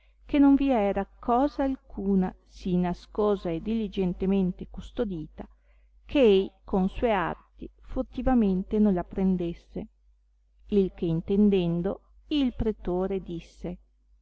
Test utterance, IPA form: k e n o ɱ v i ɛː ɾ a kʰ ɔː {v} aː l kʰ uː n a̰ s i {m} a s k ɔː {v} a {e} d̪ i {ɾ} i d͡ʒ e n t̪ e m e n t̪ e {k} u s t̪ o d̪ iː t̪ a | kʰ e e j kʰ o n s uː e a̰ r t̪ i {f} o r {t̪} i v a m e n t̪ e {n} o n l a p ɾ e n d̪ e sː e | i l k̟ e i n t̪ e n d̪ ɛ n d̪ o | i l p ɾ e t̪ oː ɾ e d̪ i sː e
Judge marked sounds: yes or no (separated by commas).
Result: no, no, no, yes, no, yes, yes, yes, yes